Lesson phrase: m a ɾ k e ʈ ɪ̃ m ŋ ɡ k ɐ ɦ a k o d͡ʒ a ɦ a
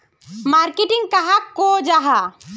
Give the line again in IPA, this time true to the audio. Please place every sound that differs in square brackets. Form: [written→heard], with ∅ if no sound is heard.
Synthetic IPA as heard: m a ɾ k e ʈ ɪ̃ [m→∅] ŋ ɡ k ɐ ɦ a k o d͡ʒ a ɦ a